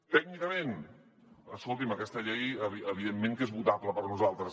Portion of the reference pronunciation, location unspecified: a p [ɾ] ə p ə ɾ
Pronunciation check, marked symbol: incorrect: l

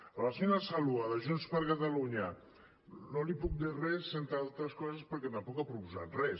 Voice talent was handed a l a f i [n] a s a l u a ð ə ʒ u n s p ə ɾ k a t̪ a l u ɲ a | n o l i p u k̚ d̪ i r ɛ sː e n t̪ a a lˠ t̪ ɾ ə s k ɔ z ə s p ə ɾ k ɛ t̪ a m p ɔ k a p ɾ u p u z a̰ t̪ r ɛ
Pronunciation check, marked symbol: correct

